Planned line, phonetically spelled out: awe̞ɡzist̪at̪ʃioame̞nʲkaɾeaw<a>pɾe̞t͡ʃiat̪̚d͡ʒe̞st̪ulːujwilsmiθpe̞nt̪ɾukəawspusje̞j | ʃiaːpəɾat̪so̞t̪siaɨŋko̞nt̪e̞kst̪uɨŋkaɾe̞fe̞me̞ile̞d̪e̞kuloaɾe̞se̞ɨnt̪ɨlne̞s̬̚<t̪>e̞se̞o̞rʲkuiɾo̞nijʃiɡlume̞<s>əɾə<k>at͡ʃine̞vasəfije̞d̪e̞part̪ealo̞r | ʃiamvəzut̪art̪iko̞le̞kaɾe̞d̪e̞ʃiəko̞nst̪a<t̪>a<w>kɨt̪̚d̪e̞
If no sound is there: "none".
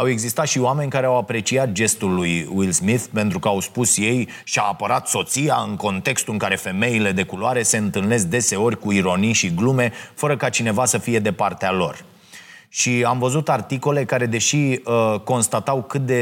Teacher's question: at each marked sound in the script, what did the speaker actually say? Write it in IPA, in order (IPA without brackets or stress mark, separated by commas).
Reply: a, d̪, f, k, t̪, w